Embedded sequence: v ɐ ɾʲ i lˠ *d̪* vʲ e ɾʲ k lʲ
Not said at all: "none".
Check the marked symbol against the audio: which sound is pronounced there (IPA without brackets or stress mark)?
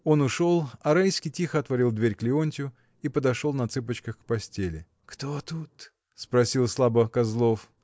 d̪